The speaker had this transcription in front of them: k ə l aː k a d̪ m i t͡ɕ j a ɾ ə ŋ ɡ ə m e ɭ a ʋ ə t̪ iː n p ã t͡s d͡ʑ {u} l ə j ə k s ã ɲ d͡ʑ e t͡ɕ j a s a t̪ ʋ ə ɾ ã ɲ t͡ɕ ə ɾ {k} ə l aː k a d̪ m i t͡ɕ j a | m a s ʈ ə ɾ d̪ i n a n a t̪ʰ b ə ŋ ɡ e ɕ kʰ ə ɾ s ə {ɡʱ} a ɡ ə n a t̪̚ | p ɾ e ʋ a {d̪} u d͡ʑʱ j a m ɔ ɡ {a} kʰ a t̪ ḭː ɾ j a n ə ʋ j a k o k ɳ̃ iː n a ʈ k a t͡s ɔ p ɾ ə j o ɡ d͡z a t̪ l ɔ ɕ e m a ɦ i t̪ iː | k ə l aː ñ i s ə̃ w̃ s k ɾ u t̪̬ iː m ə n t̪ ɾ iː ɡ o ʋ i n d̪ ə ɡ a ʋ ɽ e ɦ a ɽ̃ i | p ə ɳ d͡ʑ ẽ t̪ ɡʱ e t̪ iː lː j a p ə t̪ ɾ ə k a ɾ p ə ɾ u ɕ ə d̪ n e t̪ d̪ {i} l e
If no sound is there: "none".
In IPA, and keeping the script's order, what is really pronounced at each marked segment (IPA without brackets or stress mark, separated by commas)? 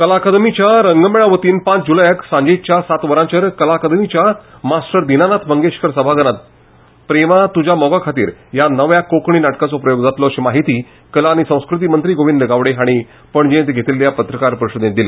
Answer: u, k, bʱ, t̪, a, i